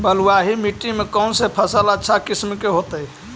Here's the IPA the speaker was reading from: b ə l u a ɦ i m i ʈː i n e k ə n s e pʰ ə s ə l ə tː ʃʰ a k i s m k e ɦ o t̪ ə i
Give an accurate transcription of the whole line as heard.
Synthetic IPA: b ə l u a ɦ i m i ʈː i m e k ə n s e pʰ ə s ə l ə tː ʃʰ a k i s m k e ɦ o t̪ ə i